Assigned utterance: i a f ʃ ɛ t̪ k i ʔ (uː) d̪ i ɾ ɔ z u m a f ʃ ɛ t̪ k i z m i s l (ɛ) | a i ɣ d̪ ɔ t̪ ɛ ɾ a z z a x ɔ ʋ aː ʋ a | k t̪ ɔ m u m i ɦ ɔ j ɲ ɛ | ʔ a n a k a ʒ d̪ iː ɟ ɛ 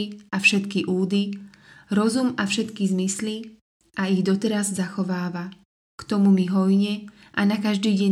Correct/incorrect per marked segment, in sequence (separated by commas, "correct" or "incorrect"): correct, incorrect